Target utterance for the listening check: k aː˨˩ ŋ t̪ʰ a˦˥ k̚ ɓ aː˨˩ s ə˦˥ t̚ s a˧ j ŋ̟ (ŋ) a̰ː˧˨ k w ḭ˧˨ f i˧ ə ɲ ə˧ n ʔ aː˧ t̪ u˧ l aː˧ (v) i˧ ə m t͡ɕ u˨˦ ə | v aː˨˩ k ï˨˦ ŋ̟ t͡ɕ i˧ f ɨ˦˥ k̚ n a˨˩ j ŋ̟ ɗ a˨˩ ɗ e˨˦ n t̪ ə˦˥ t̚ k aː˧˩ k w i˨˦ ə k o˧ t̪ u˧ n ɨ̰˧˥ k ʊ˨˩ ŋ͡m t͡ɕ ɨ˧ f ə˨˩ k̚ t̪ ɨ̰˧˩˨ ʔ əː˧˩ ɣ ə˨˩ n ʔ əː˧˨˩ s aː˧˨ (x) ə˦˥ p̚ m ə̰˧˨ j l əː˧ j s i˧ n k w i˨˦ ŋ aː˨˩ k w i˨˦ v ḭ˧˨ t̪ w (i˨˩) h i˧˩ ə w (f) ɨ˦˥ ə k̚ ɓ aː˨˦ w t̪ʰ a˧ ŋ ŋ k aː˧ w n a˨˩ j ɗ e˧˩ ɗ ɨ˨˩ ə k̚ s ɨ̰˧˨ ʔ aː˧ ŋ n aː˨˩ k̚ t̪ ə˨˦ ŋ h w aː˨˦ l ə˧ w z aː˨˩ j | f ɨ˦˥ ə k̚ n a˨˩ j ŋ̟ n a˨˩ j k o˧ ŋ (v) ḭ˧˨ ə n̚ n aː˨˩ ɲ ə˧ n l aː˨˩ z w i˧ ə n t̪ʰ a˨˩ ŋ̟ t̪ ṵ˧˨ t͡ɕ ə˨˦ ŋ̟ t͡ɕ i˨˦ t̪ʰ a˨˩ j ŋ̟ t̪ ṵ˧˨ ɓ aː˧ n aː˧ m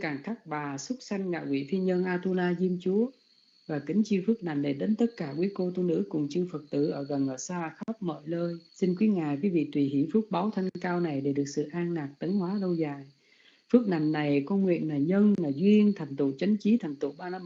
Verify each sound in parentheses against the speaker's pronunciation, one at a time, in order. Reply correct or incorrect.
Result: correct, incorrect: z, correct, correct, correct, incorrect: w

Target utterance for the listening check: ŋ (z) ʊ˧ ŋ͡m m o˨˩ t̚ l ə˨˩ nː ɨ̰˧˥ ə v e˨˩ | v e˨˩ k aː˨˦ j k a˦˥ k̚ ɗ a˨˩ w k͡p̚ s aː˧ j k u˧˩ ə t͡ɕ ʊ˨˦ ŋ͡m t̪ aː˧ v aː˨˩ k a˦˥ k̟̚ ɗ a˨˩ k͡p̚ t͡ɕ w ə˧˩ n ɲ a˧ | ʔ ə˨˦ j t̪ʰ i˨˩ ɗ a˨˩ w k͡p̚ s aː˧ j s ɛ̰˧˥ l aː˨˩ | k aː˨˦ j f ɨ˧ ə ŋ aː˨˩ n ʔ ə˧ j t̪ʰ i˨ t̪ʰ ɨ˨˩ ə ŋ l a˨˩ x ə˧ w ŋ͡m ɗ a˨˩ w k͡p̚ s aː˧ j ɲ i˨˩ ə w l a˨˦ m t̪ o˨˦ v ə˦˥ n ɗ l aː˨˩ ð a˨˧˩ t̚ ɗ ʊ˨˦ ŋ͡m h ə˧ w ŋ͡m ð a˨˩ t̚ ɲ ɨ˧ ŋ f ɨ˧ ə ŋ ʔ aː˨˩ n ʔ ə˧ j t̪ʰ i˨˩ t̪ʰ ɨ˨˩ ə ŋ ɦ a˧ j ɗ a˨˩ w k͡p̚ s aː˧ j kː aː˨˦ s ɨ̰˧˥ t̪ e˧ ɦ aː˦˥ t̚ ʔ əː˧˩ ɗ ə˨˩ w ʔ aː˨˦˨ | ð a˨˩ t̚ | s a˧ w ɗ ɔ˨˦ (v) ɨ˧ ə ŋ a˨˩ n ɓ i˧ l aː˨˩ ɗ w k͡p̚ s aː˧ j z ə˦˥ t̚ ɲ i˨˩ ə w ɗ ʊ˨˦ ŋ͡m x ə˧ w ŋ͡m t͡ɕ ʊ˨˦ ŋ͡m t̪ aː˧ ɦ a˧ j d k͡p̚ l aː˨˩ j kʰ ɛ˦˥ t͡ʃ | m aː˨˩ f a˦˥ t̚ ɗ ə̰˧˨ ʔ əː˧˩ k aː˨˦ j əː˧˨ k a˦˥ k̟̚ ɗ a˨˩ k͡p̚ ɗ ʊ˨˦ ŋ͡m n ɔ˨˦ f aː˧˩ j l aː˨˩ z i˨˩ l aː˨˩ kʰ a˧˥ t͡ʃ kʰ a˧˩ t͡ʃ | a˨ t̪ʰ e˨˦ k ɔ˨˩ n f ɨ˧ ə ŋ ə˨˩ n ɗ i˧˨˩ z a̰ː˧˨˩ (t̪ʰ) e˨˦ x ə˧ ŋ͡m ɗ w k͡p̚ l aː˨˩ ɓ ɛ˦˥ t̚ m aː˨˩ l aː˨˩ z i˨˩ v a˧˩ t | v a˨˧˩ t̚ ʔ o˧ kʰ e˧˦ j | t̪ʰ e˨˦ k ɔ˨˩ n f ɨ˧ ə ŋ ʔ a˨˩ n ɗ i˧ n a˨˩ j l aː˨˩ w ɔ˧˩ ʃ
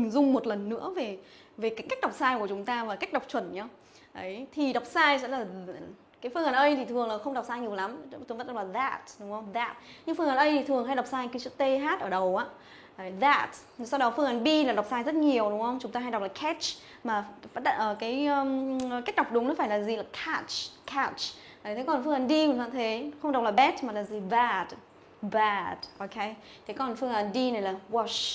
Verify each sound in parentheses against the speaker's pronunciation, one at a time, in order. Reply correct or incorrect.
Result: correct, incorrect: f, correct

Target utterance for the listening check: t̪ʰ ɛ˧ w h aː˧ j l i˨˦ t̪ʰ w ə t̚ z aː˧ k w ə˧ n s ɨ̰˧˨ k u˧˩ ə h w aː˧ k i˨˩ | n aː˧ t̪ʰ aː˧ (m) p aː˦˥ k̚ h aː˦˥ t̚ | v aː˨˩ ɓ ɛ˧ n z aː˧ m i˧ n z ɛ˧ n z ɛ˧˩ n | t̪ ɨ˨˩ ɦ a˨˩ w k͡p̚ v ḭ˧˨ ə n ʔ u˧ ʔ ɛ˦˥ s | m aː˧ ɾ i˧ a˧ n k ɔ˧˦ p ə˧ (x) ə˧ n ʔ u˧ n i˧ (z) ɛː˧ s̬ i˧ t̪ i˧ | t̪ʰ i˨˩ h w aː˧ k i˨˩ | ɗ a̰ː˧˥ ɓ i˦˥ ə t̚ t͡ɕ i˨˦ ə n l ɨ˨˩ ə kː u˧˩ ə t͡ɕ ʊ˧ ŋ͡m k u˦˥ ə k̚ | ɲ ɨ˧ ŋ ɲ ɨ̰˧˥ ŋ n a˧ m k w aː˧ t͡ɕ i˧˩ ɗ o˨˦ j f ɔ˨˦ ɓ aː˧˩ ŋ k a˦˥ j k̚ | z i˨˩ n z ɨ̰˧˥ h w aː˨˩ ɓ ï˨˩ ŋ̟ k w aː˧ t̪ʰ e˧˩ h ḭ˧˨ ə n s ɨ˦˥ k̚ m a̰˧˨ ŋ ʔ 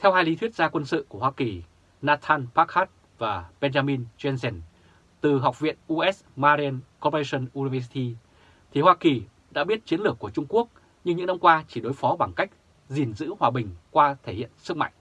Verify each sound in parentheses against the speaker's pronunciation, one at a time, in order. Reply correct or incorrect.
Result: incorrect: n, incorrect: s, incorrect: v

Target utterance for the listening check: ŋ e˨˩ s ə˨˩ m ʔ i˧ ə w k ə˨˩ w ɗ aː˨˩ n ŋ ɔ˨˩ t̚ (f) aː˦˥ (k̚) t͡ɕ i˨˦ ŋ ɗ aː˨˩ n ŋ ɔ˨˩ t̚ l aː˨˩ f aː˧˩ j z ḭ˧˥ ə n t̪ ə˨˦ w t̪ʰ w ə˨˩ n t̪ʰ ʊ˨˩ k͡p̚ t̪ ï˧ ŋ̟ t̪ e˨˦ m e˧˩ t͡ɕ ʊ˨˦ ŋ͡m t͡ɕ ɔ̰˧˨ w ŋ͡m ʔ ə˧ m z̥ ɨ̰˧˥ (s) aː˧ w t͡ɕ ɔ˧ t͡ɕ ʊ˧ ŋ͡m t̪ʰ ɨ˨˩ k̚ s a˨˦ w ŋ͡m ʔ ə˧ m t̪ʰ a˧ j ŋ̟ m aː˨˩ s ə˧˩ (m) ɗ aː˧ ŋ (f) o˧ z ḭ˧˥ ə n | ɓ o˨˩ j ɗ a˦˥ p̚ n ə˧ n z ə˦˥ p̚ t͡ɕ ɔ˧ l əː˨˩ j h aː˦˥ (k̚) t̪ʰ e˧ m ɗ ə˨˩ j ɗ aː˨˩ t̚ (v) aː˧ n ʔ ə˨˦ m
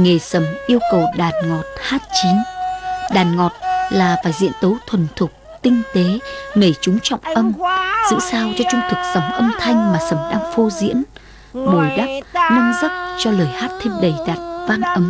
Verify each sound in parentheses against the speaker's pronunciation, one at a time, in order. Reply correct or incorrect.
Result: incorrect: h, incorrect: t̚, correct, correct, correct, incorrect: t̚, correct

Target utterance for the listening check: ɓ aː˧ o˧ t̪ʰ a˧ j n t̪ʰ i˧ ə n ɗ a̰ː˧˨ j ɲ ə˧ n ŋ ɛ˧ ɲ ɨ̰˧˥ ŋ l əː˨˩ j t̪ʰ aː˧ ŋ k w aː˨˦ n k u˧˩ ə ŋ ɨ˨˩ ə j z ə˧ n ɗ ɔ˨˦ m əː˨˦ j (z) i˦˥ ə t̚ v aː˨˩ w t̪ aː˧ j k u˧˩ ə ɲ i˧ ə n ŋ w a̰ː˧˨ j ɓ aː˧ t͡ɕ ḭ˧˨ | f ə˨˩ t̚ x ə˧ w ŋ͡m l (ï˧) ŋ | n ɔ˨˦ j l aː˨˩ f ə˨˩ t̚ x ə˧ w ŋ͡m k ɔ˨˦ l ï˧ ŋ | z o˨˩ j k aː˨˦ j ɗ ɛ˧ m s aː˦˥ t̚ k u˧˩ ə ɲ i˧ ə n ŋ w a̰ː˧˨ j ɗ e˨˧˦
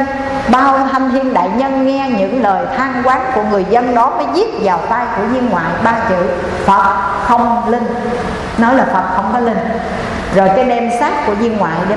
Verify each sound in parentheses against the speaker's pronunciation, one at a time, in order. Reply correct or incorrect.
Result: correct, correct

